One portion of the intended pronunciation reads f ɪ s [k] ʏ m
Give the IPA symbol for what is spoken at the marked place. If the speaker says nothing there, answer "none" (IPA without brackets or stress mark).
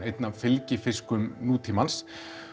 k